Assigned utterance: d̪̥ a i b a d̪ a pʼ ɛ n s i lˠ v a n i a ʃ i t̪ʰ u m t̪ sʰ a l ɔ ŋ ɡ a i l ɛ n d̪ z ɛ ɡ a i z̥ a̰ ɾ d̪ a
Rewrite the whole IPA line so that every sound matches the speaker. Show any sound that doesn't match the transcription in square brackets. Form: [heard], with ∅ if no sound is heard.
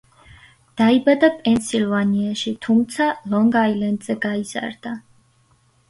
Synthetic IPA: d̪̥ a i b a d̪ a pʼ ɛ n s i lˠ v a n i a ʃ i t̪ʰ u m t̪ sʰ a l ɔ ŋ ɡ a i l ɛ n d̪ z ɛ ɡ a i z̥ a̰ ɾ d̪ a